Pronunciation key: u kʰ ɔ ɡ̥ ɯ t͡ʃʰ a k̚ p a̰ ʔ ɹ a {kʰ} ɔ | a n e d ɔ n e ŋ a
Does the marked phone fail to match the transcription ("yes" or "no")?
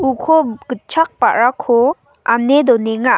no